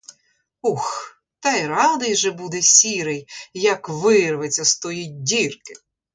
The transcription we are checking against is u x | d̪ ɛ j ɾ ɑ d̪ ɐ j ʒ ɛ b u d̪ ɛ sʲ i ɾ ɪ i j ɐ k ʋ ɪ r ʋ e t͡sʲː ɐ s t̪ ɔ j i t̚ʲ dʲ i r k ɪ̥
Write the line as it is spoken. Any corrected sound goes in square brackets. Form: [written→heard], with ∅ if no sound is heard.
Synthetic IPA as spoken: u x | [d̪→t̪] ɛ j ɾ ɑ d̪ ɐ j ʒ ɛ b u d̪ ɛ sʲ i ɾ ɪ [i→j] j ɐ k ʋ ɪ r ʋ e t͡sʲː ɐ s t̪ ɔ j i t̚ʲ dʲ i r k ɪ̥